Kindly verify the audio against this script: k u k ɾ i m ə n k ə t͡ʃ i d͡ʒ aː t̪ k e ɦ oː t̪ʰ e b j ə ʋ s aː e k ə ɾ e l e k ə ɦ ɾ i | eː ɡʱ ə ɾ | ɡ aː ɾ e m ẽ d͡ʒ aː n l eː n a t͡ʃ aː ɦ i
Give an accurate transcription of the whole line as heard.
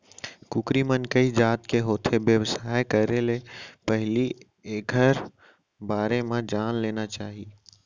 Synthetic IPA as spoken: k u k ɾ i m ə n k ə i d͡ʒ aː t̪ k e ɦ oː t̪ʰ e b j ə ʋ s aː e k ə ɾ e l e p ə ɦ l i | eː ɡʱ ə ɾ | b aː ɾ e m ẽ d͡ʒ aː n l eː n a t͡ʃ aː ɦ i